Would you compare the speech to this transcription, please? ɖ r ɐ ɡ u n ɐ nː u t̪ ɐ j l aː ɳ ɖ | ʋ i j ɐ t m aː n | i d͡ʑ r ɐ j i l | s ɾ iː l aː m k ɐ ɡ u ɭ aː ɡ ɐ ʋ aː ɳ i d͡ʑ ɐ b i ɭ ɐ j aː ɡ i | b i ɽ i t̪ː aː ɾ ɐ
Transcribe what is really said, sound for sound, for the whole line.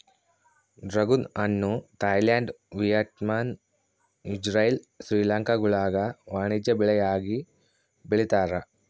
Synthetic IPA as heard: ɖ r ɐ ɡ u n ɐ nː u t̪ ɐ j l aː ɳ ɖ | ʋ i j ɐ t m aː n | i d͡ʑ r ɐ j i l | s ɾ iː l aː ŋ k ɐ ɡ u ɭ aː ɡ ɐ ʋ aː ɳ i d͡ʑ ɐ b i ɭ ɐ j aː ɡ i | b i ɭ i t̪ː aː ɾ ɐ